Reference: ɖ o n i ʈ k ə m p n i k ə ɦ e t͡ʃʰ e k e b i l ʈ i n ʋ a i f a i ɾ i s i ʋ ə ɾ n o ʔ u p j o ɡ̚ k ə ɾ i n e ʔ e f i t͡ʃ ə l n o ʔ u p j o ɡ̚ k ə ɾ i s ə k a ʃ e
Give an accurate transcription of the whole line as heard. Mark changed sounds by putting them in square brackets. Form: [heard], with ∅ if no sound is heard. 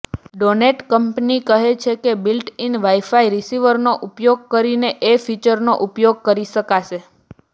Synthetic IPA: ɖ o n [e] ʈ k ə m p n i k ə ɦ e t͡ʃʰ e k e b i l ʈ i n ʋ a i f a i ɾ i s i ʋ ə ɾ n o ʔ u p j o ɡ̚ k ə ɾ i n e ʔ e f i t͡ʃ ə [ɾ] n o ʔ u p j o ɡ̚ k ə ɾ i [ʃ] ə k a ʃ e